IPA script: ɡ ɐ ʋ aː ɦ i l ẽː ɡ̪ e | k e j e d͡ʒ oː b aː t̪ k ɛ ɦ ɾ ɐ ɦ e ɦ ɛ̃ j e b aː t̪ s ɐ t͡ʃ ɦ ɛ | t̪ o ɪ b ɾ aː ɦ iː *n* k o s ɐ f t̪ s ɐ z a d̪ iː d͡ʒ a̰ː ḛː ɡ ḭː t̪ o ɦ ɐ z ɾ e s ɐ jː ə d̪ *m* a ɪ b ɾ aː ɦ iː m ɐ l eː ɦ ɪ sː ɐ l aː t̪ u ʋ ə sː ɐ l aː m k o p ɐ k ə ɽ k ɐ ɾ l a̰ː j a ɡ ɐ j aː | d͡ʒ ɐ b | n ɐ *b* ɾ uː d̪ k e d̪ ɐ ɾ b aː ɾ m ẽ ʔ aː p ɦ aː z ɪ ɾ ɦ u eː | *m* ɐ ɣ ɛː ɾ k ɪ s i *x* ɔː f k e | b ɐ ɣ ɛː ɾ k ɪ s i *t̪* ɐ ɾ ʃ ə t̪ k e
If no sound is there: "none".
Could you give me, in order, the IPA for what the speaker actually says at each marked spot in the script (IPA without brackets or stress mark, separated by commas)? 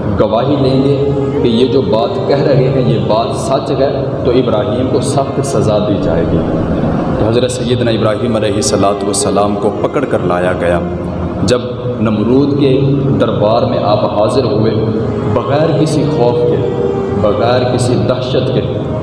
m, n, m, b, x, d̪